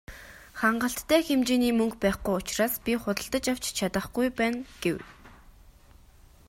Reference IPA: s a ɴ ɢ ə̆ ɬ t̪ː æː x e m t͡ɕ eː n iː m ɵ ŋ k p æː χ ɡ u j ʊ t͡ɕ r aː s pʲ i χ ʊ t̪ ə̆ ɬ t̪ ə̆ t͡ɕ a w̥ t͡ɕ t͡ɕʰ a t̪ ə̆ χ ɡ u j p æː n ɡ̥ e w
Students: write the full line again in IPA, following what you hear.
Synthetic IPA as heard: χ a ɴ ɢ ə̆ ɬ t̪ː æː x e m t͡ɕ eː n iː m ɵ ŋ k p æː χ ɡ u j ʊ t͡ɕ r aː s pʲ i χ ʊ t̪ ə̆ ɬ t̪ ə̆ t͡ɕ a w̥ t͡ɕ t͡ɕʰ a t̪ ə̆ χ ɡ u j p æː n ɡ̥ e w